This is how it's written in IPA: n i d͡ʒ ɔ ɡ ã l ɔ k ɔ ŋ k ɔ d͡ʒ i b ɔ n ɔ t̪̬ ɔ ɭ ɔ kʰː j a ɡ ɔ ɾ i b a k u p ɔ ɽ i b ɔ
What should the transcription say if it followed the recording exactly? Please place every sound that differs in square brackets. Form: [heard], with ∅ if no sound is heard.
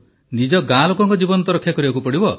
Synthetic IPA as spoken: n i d͡ʒ ɔ ɡ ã l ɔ k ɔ ŋ k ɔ d͡ʒ i b ɔ n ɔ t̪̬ ɔ [ɾ] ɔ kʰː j a [k] ɔ ɾ i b a k u p ɔ ɽ i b ɔ